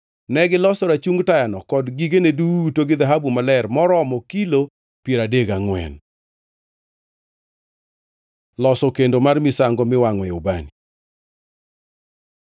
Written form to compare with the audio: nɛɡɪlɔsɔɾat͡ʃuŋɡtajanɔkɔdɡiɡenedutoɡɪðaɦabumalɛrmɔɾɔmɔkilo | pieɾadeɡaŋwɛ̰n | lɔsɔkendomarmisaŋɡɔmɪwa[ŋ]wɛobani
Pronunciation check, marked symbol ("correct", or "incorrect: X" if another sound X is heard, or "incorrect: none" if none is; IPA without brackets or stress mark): correct